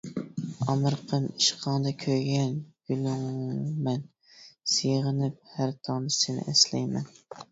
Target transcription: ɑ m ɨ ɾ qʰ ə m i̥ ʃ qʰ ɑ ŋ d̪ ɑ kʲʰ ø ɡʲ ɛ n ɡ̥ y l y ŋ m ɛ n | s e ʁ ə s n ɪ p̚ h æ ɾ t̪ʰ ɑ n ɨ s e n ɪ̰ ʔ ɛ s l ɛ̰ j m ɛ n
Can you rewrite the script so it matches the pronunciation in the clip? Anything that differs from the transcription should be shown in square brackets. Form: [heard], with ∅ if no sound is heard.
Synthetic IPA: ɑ m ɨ ɾ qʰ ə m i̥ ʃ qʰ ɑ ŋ d̪ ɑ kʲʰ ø ɡʲ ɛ n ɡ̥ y l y ŋ m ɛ n | s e ʁ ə [∅] n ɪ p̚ h æ ɾ t̪ʰ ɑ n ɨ s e n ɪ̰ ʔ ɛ s l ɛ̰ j m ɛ n